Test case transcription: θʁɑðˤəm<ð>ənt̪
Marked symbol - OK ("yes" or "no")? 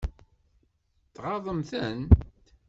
no